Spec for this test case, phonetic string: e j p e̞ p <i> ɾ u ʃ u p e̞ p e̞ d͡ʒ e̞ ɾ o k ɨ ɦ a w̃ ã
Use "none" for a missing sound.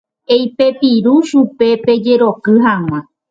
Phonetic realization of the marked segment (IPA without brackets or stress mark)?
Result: i